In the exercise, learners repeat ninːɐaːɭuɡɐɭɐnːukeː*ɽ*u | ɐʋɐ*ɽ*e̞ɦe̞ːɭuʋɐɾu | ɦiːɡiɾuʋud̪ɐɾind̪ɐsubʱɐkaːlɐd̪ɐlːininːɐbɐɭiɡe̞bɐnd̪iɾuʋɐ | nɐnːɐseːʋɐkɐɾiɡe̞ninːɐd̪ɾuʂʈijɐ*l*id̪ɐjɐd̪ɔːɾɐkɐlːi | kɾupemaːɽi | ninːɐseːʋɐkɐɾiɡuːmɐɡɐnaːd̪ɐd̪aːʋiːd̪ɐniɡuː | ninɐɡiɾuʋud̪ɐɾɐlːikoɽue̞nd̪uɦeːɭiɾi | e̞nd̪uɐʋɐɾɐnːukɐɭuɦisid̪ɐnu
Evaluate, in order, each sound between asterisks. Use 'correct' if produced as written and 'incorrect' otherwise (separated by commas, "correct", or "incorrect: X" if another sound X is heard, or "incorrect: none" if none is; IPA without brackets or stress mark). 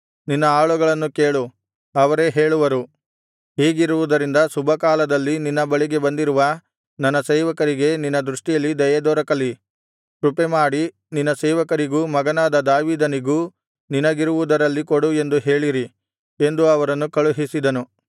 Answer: incorrect: ɭ, incorrect: ɾ, incorrect: lː